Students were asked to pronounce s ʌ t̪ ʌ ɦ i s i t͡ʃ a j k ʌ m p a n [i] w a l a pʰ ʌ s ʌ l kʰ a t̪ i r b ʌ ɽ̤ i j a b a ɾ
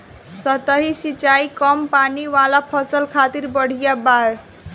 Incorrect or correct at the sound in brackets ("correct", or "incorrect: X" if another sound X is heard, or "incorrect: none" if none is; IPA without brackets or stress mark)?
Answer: correct